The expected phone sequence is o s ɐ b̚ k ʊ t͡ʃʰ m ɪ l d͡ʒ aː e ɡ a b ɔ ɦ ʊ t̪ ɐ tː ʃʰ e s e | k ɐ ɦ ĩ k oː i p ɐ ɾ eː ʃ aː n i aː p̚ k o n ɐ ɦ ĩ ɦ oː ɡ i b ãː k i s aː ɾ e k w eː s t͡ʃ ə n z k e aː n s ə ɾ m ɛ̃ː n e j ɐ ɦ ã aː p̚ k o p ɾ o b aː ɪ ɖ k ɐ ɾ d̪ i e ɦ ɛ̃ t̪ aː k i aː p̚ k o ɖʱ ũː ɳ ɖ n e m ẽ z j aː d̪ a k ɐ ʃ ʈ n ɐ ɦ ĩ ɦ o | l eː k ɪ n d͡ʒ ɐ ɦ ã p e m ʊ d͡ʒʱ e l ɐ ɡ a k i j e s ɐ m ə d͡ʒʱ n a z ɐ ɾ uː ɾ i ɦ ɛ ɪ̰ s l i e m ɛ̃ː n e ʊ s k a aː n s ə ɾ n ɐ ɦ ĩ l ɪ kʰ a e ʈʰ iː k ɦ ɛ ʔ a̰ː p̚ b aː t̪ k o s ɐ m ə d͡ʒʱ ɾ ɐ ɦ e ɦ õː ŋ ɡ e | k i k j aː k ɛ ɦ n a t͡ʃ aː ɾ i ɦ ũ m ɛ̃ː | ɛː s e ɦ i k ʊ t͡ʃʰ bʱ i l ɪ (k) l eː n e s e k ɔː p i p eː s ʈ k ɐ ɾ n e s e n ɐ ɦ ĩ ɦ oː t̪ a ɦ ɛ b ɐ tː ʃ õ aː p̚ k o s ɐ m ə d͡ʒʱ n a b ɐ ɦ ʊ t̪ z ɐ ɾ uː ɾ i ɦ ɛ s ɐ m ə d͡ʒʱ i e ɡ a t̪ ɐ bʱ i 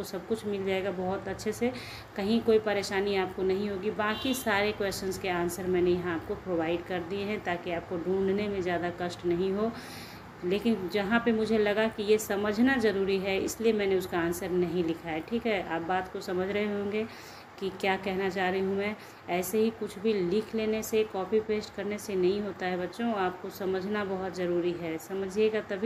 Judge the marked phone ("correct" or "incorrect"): incorrect